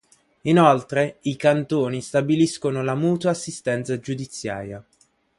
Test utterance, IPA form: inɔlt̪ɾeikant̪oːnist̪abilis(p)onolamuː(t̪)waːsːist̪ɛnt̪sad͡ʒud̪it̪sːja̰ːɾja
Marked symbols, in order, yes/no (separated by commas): no, yes